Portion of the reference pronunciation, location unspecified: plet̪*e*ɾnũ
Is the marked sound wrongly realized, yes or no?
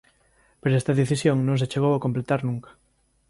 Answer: yes